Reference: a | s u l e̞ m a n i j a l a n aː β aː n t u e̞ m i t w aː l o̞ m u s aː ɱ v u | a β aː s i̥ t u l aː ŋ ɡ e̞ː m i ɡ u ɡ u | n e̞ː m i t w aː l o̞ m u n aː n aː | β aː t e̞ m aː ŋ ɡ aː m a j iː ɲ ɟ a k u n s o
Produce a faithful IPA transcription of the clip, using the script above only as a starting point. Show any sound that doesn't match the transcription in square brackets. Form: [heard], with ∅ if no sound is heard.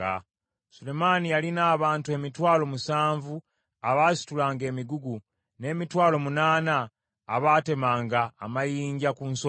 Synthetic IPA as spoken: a | s u l e̞ m a n i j a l [i] n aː β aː n t u e̞ m i t w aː l o̞ m u s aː ɱ v u | a β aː s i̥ t u l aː ŋ ɡ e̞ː m i ɡ u ɡ u | n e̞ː m i t w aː l o̞ m u n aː n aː | β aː t e̞ m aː ŋ ɡ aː m a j iː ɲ ɟ a k u n s o